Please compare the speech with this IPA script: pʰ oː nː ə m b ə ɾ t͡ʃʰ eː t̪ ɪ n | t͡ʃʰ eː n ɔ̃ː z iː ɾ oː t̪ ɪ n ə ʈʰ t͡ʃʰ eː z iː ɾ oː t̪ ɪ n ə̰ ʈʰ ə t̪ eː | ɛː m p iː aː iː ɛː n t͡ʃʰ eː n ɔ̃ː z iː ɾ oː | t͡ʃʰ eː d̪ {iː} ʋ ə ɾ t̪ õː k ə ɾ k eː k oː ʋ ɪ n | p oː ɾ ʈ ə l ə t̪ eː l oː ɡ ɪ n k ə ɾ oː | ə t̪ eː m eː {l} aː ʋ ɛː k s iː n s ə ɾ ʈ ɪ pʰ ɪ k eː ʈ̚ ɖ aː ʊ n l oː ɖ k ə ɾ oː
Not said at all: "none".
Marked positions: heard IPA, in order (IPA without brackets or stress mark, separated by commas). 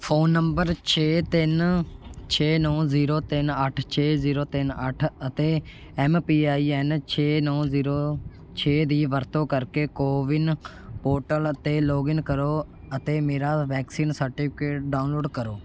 iː, ɾ